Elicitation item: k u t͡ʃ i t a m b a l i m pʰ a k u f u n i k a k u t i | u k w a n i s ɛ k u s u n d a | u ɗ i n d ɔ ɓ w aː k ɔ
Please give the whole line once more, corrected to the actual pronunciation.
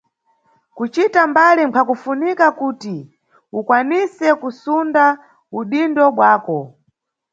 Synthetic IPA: k u t͡ʃ i t a m b a l i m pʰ a k u f u n i k a k u t i | u k w a n i s ɛ k u s u n d a | u ɗ i n d ɔ ɓ w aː k ɔ